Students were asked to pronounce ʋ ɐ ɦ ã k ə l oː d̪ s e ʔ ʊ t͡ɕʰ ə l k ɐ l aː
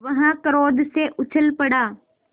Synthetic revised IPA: ʋ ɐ ɦ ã k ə ɾ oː d̪ s e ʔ ʊ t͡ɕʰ ə l p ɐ ɽ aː